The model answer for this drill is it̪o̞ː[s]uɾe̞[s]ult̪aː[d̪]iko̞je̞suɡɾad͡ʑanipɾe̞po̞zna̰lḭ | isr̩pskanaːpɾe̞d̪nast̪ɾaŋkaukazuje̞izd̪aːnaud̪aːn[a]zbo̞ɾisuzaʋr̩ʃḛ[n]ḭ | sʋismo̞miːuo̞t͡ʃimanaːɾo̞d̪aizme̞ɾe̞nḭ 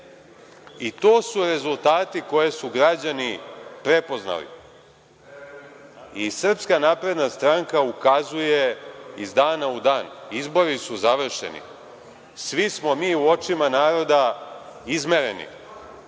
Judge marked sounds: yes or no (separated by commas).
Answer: yes, no, no, no, yes